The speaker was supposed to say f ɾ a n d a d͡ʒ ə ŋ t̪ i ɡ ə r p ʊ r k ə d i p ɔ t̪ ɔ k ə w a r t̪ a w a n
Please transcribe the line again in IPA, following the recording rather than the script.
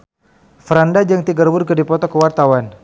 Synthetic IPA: f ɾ a n d a d͡ʒ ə ŋ t̪ i ɡ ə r b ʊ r k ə d i p ɔ t̪ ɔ k ə w a r t̪ a w a n